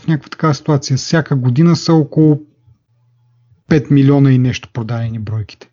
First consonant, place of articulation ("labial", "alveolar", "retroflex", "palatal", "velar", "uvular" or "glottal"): labial